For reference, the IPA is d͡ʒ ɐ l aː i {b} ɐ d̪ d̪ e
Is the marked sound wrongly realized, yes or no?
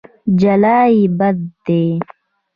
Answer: no